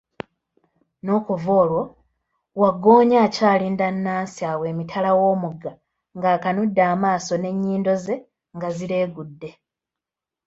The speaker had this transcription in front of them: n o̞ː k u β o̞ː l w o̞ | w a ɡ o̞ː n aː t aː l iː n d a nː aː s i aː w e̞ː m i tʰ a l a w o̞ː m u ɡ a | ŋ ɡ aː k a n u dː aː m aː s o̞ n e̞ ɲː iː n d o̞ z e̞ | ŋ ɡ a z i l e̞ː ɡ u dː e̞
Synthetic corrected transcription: n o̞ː k u v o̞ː l w o̞ | w a ɡ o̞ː ɲ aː c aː l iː n d a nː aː s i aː w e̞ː m i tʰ a l a w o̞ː m u ɡ a | ŋ ɡ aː k a n u dː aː m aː s o̞ n e̞ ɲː iː n d o̞ z e̞ | ŋ ɡ a z i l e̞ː ɡ u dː e̞